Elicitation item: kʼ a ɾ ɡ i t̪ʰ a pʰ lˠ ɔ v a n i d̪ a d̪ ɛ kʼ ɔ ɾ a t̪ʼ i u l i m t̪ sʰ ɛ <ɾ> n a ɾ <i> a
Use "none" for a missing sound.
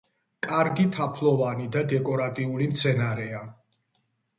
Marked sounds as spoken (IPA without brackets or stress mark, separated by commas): none, ɛ